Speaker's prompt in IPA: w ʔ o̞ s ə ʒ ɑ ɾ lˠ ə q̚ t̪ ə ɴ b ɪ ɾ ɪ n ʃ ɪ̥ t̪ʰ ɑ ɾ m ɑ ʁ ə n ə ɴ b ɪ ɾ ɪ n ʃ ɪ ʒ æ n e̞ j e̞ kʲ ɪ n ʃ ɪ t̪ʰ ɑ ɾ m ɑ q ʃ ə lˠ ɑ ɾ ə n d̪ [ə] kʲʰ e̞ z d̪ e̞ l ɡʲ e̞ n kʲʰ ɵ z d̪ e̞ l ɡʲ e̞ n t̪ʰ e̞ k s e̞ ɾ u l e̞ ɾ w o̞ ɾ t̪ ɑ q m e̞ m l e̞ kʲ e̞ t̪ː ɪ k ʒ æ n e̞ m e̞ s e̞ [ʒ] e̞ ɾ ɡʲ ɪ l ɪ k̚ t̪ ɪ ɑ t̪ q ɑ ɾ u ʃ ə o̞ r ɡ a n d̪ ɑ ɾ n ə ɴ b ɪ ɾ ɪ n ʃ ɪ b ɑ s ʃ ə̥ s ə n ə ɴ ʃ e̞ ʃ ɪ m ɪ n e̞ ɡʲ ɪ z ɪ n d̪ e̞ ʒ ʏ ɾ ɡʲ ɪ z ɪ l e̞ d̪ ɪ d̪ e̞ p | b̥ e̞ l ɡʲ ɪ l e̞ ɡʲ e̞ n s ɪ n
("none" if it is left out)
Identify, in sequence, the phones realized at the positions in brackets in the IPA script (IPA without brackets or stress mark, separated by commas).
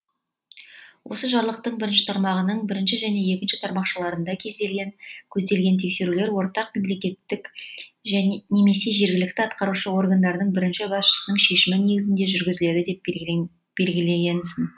ɑ, ʒ